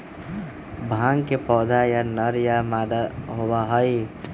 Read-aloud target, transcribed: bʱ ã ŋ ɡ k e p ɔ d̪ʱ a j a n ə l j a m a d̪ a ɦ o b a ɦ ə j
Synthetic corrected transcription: bʱ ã ŋ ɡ k e p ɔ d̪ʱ a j a n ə ɾ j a m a d̪ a ɦ o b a ɦ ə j